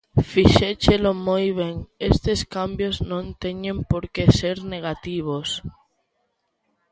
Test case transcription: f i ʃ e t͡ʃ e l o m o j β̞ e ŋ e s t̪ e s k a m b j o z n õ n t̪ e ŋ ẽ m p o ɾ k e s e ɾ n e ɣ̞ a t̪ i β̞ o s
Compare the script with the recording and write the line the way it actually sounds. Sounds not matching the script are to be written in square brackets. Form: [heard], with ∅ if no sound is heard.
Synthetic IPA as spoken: f i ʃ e t͡ʃ e l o m o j β̞ e ŋ e s t̪ e s k a m b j o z n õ n t̪ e [ɲ] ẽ m p o ɾ k e s e ɾ n e ɣ̞ a t̪ i β̞ o s